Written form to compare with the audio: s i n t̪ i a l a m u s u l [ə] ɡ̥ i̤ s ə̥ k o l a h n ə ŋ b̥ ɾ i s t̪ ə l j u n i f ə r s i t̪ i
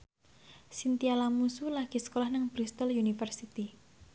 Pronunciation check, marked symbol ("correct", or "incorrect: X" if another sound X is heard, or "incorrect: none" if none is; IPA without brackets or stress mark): incorrect: a